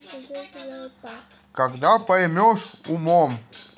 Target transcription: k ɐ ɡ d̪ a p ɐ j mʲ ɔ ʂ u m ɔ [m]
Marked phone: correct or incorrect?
correct